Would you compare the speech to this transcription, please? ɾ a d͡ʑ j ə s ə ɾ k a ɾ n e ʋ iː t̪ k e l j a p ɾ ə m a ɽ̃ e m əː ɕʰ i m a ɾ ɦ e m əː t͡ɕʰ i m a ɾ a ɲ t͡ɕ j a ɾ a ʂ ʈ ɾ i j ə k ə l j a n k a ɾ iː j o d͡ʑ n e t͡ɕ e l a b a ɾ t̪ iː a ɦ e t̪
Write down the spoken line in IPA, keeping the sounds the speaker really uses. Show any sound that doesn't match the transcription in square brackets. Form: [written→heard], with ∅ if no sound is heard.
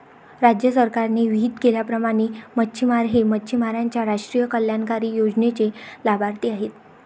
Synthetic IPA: ɾ a d͡ʑ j ə s ə ɾ k a ɾ n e ʋ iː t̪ k e l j a p ɾ ə m a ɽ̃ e m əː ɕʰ i m a ɾ ɦ e m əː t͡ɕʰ i m a ɾ a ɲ t͡ɕ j a ɾ a ʂ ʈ ɾ i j ə k ə l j a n k a ɾ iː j o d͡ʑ n e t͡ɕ e l a b a ɾ t̪ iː a ɦ e t̪